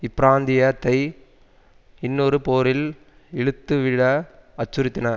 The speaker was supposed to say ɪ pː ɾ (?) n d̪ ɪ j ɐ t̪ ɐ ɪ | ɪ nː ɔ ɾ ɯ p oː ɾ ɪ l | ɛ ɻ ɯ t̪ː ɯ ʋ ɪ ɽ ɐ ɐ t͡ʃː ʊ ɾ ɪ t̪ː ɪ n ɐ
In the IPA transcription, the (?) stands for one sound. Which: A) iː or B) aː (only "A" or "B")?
B